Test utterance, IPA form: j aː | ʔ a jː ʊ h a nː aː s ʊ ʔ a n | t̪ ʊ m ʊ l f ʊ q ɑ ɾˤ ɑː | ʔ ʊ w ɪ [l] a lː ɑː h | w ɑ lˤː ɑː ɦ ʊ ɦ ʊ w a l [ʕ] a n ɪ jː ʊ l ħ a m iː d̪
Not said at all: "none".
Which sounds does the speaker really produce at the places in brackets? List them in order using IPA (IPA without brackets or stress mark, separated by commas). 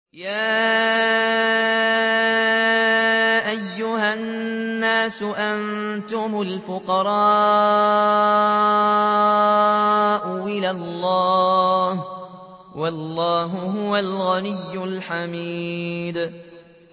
l, ɣ